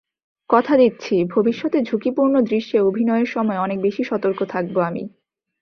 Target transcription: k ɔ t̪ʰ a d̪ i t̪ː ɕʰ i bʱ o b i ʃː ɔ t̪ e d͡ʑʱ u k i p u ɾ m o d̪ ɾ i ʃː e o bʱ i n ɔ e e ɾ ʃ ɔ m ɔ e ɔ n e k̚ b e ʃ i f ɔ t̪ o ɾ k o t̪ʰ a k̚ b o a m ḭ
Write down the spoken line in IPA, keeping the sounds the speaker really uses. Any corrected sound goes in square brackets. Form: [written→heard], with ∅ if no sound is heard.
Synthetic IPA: k ɔ t̪ʰ a d̪ i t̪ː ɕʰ i bʱ o b i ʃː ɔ t̪ e d͡ʑʱ u k i p u ɾ [m→n] o d̪ ɾ i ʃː e o bʱ i n ɔ e e ɾ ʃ ɔ m ɔ e ɔ n e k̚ b e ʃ i [f→ʃ] ɔ t̪ o ɾ k o t̪ʰ a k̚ b o a m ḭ